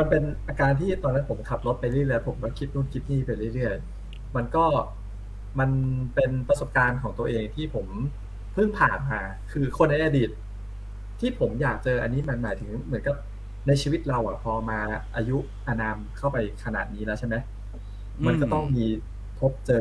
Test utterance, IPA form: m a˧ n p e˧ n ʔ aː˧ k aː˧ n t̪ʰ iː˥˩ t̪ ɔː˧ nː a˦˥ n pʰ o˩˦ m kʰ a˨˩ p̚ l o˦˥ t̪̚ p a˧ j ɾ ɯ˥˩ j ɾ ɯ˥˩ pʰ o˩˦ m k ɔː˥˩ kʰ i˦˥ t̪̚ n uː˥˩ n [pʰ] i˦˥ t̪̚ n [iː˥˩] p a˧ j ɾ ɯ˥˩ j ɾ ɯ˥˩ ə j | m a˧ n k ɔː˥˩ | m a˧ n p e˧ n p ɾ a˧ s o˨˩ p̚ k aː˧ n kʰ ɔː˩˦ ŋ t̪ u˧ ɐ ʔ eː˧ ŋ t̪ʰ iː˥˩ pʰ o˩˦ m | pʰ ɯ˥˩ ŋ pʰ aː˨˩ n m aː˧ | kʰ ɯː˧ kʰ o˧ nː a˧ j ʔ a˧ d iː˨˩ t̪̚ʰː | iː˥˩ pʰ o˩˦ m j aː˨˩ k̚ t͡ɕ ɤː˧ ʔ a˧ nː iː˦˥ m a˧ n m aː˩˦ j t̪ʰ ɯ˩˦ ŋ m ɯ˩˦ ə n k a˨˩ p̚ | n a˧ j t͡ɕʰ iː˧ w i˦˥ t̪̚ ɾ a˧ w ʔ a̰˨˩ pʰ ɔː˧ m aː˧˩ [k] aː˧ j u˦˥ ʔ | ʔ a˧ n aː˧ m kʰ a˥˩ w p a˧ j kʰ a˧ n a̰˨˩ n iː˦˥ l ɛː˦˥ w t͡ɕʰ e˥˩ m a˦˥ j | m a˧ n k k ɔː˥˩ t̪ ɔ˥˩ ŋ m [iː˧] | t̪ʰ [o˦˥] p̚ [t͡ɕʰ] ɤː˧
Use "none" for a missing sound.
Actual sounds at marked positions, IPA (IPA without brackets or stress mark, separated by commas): kʰ, iː˥˩, ʔ, iː˧, o˦˥, t͡ɕ